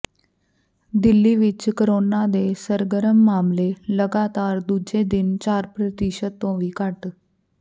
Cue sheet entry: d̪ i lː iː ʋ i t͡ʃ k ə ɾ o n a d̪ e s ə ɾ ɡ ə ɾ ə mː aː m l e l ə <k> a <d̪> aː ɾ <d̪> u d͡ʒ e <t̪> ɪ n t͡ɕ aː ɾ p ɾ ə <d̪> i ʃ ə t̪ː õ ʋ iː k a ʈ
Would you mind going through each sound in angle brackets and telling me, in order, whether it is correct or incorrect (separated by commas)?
incorrect, incorrect, correct, incorrect, incorrect